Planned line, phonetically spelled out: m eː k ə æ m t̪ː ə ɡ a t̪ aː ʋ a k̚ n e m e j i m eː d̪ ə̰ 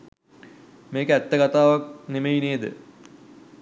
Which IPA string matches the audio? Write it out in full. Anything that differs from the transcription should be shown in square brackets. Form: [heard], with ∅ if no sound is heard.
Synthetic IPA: m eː k ə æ [∅] t̪ː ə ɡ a t̪ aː ʋ a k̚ n e m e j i [n] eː d̪ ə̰